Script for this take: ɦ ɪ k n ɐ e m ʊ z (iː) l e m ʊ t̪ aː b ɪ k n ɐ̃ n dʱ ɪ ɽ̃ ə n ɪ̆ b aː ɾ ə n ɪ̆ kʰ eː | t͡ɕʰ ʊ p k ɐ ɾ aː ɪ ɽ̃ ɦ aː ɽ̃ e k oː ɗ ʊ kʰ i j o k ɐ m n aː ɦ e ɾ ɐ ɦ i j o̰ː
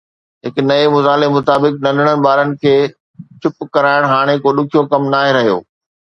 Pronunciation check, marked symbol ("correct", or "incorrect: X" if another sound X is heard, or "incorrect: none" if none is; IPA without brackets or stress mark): incorrect: aː